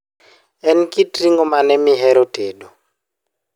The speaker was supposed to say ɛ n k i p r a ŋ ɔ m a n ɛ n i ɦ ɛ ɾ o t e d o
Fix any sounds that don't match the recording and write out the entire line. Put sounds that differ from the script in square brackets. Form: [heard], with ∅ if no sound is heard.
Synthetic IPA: ɛ n k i [t] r [i] ŋ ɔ m a n ɛ [m] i ɦ ɛ ɾ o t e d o